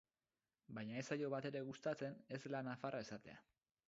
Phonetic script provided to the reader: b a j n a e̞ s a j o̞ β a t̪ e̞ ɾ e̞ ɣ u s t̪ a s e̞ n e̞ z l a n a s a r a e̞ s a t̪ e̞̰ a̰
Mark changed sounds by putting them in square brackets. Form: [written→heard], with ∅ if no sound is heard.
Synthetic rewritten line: b a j [n→ɲ] a e̞ s a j o̞ β a t̪ e̞ ɾ e̞ ɣ u s t̪ a [s→t͡s] e̞ n e̞ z l a n a [s→f] a r a e̞ s a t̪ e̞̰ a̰